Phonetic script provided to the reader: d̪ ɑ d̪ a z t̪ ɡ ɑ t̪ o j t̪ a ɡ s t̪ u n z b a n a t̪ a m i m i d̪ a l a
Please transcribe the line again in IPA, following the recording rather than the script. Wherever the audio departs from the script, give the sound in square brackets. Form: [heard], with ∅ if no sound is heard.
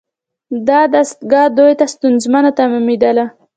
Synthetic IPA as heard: d̪ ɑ d̪ a [s] t̪ ɡ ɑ [d̪] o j t̪ a [∅] s t̪ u n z [m] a n a t̪ a m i m i d̪ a l a